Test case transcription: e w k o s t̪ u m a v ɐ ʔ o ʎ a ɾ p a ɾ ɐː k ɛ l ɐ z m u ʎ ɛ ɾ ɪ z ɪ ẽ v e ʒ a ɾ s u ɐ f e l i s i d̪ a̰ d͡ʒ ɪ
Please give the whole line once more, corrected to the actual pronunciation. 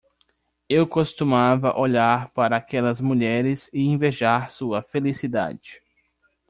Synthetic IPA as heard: e w k o s t̪ u m a v ɐ ʔ o ʎ a ɾ p a ɾ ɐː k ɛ l ɐ z m u ʎ ɛ ɾ ɪ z ɪ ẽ v e ʒ a ɾ s u ɐ f e l i s i d̪ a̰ d͡ʒ ɪ